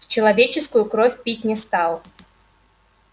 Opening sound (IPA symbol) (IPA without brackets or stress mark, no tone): t͡ɕ